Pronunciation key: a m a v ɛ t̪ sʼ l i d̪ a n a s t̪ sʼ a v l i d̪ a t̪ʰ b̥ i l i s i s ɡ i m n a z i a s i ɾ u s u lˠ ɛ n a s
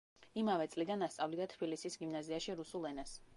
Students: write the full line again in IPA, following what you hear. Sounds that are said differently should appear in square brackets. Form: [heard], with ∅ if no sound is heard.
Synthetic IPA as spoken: [i] m a v ɛ t̪ sʼ l i d̪ a n a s t̪ sʼ a v l i d̪ a t̪ʰ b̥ i l i s i s ɡ i m n a z i a [ʃ] i ɾ u s u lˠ ɛ n a s

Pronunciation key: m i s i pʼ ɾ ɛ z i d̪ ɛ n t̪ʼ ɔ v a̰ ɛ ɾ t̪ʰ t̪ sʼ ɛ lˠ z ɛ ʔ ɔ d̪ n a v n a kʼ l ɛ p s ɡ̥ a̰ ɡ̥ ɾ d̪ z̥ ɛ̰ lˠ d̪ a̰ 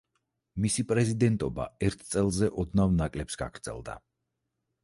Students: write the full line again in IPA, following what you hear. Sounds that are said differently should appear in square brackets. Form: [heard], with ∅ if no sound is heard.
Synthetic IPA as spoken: m i s i pʼ ɾ ɛ z i d̪ ɛ n t̪ʼ ɔ [b] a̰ ɛ ɾ t̪ʰ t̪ sʼ ɛ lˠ z ɛ ʔ ɔ d̪ n a v n a kʼ l ɛ p s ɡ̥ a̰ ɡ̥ ɾ d̪ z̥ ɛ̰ lˠ d̪ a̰

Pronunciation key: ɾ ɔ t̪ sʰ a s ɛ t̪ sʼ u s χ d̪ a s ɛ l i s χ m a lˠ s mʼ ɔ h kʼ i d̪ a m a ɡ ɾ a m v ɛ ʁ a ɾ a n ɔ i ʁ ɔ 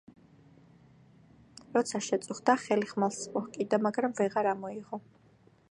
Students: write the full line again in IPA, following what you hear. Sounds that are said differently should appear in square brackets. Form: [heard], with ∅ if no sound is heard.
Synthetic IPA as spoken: ɾ ɔ t̪ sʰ a [ʃ] ɛ t̪ sʼ u [∅] χ d̪ a [χ] ɛ l i [∅] χ m a lˠ s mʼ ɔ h kʼ i d̪ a m a ɡ ɾ a m v ɛ ʁ a ɾ a [m] ɔ i ʁ ɔ

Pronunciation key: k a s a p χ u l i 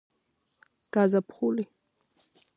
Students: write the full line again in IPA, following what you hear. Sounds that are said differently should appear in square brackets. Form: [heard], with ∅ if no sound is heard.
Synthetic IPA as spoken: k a [z] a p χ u l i

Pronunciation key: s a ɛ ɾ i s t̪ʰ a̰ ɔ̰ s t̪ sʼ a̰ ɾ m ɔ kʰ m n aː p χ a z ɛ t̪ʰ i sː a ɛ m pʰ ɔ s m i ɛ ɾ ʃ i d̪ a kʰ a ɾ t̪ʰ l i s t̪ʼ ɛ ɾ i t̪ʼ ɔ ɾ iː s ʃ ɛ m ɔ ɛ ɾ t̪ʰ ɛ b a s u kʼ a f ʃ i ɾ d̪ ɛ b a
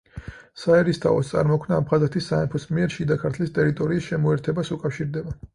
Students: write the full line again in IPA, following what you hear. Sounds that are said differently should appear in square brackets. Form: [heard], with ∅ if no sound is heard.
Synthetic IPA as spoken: s a ɛ ɾ i s t̪ʰ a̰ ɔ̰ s t̪ sʼ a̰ ɾ m ɔ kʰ m n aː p χ a z ɛ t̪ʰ i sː a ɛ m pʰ ɔ s m i ɛ ɾ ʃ i d̪ a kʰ a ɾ t̪ʰ l i s t̪ʼ ɛ ɾ i t̪ʼ ɔ ɾ iː s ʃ ɛ m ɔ ɛ ɾ t̪ʰ ɛ b a s u kʼ a f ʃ i ɾ d̪ ɛ b a

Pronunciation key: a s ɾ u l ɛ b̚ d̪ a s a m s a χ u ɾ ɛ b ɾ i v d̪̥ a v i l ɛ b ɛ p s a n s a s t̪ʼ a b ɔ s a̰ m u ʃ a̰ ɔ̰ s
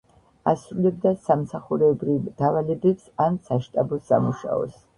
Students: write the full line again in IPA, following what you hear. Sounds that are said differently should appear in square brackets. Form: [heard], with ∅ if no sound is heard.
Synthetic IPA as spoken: a s ɾ u l ɛ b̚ d̪ a s a m s a χ u ɾ ɛ b ɾ i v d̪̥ a v [a] l ɛ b ɛ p s a n s a [ʃ] t̪ʼ a b ɔ s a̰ m u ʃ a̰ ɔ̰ s

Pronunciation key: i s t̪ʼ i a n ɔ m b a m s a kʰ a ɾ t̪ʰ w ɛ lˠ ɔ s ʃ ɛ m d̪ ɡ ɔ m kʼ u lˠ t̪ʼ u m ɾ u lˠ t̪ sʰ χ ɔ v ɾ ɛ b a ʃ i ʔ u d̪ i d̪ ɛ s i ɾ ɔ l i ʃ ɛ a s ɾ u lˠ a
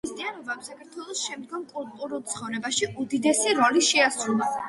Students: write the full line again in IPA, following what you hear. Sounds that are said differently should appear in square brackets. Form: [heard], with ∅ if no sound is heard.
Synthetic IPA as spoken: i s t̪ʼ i a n ɔ [∅] b a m s a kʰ a ɾ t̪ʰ w ɛ lˠ ɔ s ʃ ɛ m d̪ ɡ ɔ m kʼ u lˠ t̪ʼ u [∅] ɾ u lˠ t̪ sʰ χ ɔ v ɾ ɛ b a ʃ i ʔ u d̪ i d̪ ɛ s i ɾ ɔ l i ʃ ɛ a s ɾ u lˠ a

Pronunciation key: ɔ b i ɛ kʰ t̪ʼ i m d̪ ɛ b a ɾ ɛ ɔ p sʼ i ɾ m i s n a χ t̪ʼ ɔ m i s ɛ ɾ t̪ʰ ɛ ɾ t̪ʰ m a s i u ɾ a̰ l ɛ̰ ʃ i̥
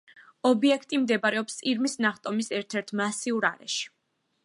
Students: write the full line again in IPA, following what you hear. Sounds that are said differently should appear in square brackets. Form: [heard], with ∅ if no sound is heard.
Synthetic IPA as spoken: ɔ b i ɛ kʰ t̪ʼ i m d̪ ɛ b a ɾ ɛ ɔ p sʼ i ɾ m i s n a χ t̪ʼ ɔ m i s ɛ ɾ t̪ʰ ɛ ɾ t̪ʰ m a s i u ɾ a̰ [ɾ] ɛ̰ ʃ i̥

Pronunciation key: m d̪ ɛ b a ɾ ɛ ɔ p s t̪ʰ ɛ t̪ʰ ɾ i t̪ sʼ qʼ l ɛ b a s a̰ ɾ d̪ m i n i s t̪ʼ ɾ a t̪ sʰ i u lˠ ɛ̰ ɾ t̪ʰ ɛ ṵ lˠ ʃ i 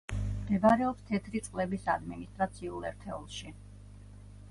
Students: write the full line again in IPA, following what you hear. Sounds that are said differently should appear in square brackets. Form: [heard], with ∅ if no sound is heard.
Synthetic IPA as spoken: m d̪ ɛ b a ɾ ɛ ɔ p s t̪ʰ ɛ t̪ʰ ɾ i t̪ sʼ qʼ l ɛ b [i] s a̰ [∅] d̪ m i n i s t̪ʼ ɾ a t̪ sʰ i u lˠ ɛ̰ ɾ t̪ʰ ɛ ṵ lˠ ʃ i

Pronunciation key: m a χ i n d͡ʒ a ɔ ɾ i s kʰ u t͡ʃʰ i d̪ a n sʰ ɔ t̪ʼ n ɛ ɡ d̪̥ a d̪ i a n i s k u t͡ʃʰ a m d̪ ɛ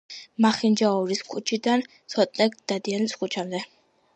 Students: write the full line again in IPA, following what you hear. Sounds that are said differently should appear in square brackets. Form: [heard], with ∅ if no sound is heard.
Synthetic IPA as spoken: m a χ i n d͡ʒ a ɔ ɾ i s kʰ u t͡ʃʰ i d̪ a n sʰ ɔ t̪ʼ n ɛ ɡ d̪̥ a d̪ i a n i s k u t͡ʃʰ a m d̪ ɛ

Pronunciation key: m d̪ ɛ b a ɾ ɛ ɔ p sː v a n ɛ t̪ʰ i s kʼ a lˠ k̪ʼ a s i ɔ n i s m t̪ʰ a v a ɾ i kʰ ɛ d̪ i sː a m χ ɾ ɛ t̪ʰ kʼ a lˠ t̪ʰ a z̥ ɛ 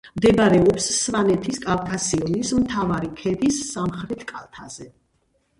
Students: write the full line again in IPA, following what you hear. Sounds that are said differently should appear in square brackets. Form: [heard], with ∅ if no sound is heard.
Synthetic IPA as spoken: m d̪ ɛ b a ɾ ɛ ɔ p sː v a n ɛ t̪ʰ i s kʼ a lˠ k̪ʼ a s i ɔ n i s m t̪ʰ a v a ɾ i kʰ ɛ d̪ i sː a m χ ɾ ɛ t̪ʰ kʼ a lˠ t̪ʰ a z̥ ɛ

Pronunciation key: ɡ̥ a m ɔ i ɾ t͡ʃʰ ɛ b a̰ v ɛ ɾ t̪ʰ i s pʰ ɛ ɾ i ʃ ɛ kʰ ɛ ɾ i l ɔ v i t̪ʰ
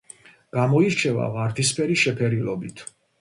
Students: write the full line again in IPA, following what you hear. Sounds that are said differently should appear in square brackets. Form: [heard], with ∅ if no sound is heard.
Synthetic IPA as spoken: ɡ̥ a m ɔ i ɾ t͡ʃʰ ɛ [v] a̰ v [a] ɾ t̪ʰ i s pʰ ɛ ɾ i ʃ ɛ [pʰ] ɛ ɾ i l ɔ [b] i t̪ʰ

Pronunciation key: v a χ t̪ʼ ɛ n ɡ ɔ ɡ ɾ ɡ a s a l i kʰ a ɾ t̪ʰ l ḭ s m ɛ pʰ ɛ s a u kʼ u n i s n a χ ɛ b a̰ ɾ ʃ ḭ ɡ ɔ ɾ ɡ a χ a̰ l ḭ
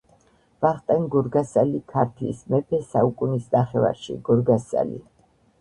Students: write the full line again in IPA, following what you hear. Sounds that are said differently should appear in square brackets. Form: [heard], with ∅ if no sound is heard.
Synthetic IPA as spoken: v a χ t̪ʼ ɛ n ɡ ɔ [∅] ɾ ɡ a s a l i kʰ a ɾ t̪ʰ l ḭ s m ɛ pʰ ɛ s a u kʼ u n i s n a χ ɛ [v] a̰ ɾ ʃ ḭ ɡ ɔ ɾ ɡ a [s] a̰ l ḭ

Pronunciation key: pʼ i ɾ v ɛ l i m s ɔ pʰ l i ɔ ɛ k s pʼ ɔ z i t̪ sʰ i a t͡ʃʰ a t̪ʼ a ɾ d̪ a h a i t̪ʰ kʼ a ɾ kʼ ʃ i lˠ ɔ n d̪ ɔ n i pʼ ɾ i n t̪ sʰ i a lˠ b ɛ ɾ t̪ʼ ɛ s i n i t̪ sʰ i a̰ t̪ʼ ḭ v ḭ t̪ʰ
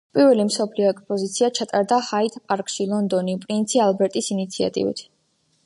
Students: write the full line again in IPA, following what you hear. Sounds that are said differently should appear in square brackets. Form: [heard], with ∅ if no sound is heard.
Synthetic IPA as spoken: pʼ i ɾ v ɛ l i m s ɔ pʰ l i ɔ ɛ k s pʼ ɔ z i t̪ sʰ i a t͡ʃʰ a t̪ʼ a ɾ d̪ a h a i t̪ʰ [pʼ] a ɾ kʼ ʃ i lˠ ɔ n d̪ ɔ n i pʼ ɾ i n t̪ sʰ i a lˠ b ɛ ɾ t̪ʼ [i] s i n i t̪ sʰ i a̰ t̪ʼ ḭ v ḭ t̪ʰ

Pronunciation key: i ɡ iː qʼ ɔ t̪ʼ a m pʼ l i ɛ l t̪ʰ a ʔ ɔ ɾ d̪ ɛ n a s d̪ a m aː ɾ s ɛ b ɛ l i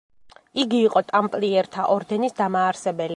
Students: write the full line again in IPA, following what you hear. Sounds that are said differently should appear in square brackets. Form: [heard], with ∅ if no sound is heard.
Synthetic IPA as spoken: i ɡ iː qʼ ɔ t̪ʼ a m pʼ l i ɛ [ɾ] t̪ʰ a ʔ ɔ ɾ d̪ ɛ n [i] s d̪ a m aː ɾ s ɛ b ɛ l i

